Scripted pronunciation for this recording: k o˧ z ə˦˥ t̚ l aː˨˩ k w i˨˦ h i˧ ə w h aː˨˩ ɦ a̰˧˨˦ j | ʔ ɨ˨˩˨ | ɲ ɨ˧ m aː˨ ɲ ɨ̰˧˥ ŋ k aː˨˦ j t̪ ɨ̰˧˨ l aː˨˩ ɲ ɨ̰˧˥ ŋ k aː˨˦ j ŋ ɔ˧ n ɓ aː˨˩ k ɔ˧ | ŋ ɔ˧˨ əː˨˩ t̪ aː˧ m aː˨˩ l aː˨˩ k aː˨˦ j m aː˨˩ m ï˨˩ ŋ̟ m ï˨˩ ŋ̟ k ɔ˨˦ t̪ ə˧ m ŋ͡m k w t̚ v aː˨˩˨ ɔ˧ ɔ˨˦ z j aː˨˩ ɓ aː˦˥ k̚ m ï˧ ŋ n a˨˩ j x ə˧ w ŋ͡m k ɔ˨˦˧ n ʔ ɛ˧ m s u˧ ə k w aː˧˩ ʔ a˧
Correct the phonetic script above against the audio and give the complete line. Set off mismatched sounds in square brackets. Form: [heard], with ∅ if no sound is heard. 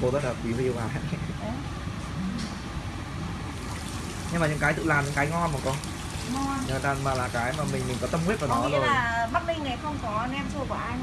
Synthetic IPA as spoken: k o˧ z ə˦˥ t̚ l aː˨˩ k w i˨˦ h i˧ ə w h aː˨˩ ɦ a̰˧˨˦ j | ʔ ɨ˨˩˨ | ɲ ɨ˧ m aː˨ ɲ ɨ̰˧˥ ŋ k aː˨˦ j t̪ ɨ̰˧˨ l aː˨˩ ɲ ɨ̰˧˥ ŋ k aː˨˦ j ŋ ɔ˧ n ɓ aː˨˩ k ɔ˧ | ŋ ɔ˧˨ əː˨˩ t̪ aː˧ m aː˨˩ l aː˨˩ k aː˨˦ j m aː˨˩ m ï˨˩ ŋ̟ m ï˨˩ ŋ̟ k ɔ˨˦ t̪ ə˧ m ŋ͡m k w t̚ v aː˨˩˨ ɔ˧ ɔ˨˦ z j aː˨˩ ɓ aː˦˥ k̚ m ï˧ ŋ n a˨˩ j x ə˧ w ŋ͡m k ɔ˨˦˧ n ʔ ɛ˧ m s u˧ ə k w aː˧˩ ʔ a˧